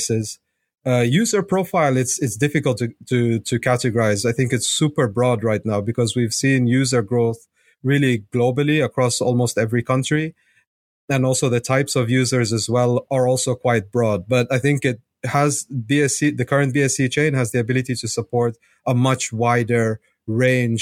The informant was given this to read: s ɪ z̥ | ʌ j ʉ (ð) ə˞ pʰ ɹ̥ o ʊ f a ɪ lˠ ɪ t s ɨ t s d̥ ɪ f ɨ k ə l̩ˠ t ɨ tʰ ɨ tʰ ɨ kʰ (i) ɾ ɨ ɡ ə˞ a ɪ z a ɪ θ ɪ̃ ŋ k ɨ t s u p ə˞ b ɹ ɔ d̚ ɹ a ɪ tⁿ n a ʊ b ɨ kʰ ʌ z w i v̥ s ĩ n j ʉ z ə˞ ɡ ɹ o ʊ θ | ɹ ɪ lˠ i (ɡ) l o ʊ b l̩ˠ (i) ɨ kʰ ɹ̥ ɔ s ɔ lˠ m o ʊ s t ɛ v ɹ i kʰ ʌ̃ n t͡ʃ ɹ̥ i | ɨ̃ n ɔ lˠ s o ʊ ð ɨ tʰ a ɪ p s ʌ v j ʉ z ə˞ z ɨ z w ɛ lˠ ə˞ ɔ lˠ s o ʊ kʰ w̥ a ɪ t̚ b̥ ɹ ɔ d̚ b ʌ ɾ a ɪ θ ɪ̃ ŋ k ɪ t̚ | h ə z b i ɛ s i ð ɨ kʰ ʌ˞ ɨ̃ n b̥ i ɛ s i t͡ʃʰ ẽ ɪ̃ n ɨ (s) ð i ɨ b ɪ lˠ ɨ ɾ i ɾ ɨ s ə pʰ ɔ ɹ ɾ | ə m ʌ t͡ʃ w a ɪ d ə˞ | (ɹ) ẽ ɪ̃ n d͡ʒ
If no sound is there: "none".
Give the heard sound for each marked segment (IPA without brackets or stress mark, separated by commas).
z, æ, ɡ, i, z, ɹ